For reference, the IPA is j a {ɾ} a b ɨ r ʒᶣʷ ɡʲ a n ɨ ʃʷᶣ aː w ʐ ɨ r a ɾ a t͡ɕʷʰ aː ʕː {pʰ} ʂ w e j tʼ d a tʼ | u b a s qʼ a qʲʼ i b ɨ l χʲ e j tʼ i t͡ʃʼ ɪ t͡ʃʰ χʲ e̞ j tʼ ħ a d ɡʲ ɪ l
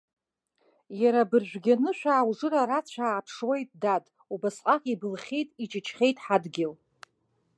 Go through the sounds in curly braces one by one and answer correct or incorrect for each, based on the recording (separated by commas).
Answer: correct, correct